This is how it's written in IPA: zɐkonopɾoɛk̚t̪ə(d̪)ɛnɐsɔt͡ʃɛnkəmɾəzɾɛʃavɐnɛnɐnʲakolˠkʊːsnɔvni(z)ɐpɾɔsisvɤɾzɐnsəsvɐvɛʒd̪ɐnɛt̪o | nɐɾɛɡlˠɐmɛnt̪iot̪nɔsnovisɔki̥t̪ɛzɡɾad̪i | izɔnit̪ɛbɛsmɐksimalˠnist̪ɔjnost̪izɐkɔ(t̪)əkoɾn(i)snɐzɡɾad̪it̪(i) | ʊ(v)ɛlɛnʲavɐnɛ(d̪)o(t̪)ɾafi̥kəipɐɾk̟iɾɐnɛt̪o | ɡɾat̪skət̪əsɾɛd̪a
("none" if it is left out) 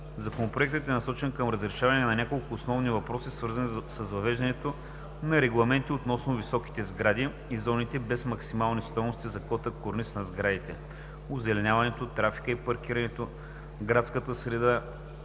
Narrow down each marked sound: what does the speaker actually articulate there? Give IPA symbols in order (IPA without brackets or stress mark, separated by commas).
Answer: t̪, v, t̪, i, ɛ, z, t̪, t̪